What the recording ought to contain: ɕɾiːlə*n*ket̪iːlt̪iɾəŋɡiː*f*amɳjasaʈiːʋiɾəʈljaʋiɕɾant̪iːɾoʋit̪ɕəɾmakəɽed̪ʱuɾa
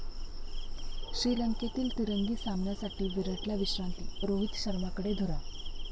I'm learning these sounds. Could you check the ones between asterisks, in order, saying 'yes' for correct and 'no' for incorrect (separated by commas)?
no, no